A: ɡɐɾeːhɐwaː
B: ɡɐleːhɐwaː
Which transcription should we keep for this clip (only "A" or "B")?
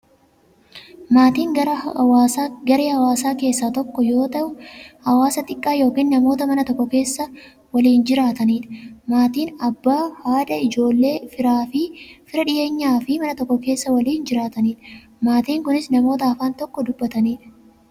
A